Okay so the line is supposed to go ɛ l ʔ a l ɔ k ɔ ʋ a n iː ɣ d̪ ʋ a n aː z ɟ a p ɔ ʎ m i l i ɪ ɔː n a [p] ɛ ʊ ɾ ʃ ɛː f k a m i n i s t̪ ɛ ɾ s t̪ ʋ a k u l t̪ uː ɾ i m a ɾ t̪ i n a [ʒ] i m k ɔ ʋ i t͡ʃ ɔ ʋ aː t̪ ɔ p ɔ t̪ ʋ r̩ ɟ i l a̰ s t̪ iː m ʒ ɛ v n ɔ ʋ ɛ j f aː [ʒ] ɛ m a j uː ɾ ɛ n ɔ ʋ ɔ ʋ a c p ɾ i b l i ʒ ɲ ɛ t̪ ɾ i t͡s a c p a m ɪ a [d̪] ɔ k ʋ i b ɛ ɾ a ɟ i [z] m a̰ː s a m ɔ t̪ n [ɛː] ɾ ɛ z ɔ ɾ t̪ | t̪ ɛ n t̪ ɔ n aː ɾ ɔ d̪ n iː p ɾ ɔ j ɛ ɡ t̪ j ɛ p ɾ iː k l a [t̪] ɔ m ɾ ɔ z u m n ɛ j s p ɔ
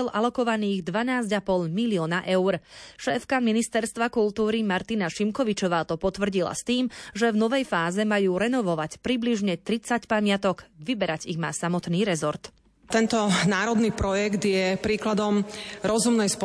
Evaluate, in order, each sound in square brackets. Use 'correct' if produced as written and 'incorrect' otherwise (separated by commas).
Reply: incorrect, incorrect, incorrect, incorrect, incorrect, incorrect, incorrect